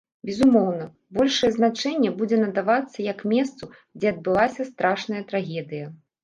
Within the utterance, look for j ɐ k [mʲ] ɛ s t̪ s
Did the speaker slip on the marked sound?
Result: no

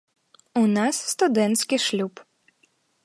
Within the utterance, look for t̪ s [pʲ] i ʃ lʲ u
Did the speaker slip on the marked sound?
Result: yes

